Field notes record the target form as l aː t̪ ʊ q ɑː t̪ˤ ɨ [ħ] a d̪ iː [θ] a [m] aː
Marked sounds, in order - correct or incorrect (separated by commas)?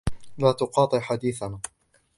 correct, correct, incorrect